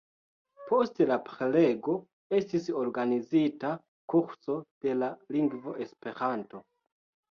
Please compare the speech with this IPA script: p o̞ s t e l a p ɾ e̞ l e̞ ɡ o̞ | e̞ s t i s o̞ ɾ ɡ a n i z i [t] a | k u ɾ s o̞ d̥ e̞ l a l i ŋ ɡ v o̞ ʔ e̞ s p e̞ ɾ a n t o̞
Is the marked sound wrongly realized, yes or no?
no